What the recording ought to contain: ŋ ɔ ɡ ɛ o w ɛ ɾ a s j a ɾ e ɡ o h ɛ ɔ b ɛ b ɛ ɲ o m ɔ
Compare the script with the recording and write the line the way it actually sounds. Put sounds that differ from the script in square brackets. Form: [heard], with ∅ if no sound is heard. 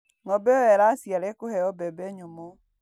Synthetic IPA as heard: ŋ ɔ [b] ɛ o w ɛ ɾ a s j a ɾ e [k] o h ɛ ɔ b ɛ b ɛ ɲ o m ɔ